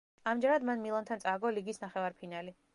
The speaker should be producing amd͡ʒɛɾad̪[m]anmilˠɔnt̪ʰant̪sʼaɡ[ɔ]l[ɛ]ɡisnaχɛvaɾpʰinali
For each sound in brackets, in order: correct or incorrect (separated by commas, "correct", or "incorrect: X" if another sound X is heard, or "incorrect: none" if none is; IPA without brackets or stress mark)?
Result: correct, correct, incorrect: i